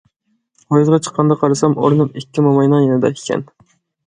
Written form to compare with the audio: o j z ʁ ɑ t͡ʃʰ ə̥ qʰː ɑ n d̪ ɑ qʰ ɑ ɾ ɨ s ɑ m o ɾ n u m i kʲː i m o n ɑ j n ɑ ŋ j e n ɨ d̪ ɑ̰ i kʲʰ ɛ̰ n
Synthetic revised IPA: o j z ʁ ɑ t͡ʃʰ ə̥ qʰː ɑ n d̪ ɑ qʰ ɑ ɾ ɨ s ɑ m o ɾ n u m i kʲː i m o m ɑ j n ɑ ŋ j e n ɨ d̪ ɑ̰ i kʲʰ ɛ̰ n